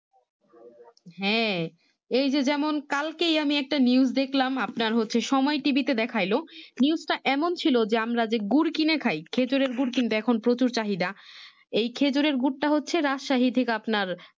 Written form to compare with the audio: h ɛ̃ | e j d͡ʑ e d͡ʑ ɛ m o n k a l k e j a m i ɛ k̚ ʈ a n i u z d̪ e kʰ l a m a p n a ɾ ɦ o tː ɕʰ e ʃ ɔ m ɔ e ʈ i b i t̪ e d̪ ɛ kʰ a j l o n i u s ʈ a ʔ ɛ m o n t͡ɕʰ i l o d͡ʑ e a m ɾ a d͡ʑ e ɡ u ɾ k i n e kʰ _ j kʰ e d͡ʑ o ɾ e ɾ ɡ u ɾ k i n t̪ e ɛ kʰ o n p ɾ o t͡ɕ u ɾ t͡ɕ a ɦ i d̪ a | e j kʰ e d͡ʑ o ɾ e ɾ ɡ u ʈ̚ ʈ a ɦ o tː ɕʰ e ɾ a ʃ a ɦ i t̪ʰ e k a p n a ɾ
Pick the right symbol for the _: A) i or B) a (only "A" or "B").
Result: B